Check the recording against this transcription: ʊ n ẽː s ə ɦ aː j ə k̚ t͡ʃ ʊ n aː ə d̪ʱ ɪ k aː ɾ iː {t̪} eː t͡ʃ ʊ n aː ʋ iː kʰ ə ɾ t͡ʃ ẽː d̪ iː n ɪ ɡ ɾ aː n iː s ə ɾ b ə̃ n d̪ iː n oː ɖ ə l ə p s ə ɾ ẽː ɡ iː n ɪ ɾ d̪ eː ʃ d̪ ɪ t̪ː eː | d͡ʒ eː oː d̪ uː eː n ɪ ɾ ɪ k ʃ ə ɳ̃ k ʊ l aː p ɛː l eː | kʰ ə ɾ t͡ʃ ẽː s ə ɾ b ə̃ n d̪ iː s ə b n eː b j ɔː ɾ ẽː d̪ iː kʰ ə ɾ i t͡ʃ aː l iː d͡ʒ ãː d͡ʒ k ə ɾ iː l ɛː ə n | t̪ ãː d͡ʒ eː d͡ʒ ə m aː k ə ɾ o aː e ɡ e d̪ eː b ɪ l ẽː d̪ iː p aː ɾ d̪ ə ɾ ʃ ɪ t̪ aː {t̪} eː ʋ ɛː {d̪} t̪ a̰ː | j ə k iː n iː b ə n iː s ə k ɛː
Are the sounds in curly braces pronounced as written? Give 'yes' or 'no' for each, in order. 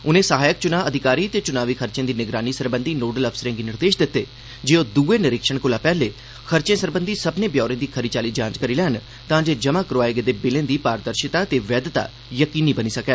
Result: yes, yes, yes

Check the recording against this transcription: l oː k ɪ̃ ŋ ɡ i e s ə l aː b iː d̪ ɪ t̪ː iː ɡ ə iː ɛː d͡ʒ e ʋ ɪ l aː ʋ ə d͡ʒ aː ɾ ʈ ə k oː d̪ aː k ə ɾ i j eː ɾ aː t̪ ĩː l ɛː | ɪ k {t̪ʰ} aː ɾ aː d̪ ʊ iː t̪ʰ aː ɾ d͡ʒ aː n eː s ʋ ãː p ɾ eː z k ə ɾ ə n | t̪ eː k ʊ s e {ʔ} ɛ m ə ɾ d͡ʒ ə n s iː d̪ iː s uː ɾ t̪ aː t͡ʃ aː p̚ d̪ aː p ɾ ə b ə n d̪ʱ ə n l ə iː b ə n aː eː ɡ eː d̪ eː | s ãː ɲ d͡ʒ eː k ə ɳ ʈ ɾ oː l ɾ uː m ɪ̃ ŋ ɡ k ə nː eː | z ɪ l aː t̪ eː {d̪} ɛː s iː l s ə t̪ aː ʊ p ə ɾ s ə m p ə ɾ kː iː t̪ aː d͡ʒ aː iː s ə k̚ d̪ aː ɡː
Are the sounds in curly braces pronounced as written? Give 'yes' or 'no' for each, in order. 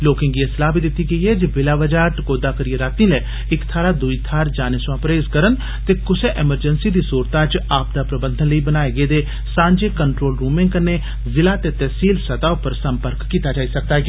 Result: yes, yes, no

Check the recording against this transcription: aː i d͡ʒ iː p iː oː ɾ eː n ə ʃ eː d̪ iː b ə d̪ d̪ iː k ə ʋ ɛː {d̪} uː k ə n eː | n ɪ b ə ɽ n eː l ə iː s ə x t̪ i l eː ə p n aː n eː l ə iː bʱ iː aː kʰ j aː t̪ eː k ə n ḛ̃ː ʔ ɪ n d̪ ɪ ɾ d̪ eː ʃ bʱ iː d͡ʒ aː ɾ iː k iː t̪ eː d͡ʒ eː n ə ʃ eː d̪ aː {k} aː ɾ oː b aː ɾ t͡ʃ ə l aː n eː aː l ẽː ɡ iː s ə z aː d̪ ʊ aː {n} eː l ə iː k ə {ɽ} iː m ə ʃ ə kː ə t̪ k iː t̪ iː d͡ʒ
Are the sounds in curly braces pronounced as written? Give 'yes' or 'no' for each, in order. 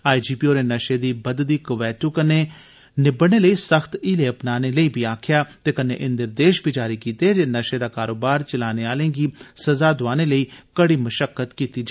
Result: no, yes, yes, yes

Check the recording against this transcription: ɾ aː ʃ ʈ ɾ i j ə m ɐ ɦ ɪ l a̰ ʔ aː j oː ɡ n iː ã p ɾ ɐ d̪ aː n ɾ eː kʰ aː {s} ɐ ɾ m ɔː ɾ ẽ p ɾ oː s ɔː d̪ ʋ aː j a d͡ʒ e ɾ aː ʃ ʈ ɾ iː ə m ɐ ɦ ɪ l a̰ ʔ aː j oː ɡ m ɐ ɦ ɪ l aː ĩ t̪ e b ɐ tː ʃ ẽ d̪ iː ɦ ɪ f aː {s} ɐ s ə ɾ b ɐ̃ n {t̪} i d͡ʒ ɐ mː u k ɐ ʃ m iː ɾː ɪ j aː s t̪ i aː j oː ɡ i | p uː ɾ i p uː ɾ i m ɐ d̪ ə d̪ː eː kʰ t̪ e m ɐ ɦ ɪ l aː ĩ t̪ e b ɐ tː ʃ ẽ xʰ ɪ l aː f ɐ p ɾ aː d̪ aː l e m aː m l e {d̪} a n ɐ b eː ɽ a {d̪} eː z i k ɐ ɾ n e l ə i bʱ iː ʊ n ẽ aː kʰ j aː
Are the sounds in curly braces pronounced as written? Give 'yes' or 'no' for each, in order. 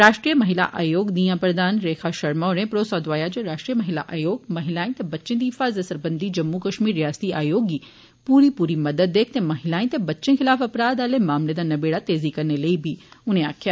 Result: no, no, no, yes, no

